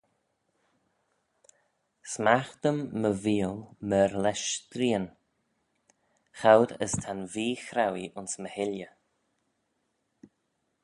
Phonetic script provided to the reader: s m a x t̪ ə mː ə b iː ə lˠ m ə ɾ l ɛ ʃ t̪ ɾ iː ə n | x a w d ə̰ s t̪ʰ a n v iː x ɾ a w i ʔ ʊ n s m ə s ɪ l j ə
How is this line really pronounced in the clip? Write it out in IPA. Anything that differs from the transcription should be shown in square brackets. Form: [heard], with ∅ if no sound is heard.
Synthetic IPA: s m a x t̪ ə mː ə [v] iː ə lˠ m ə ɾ l ɛ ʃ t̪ ɾ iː ə n | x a w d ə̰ s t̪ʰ a n v iː x ɾ a w i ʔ ʊ n s m ə [h] ɪ l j ə